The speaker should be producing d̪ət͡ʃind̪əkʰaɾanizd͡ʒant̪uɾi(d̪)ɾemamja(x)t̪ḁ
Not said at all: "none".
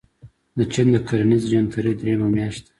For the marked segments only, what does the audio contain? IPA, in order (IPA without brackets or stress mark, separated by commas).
d̪, ʃ